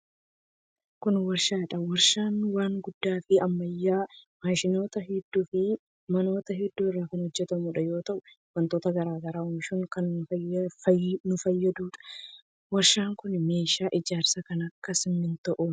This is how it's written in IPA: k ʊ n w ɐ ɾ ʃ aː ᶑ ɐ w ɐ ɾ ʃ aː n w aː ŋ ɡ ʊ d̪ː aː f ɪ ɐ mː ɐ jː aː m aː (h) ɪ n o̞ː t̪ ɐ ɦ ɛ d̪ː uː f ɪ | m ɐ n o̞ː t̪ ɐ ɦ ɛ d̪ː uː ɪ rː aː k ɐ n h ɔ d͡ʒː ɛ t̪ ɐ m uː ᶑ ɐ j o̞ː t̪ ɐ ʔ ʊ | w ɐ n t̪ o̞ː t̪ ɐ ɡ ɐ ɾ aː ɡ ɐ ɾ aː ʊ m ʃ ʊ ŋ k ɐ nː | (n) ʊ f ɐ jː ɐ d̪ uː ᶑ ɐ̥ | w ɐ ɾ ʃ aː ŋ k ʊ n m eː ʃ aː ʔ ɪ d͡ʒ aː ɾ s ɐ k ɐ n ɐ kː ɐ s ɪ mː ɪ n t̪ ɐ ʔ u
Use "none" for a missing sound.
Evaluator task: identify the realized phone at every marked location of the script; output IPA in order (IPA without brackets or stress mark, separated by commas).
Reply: ʃ, n